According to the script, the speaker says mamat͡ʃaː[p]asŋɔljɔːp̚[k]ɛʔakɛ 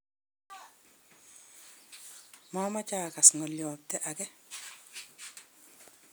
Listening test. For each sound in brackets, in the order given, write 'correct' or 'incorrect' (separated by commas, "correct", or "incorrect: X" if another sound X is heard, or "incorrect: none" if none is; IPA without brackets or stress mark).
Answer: incorrect: k, incorrect: t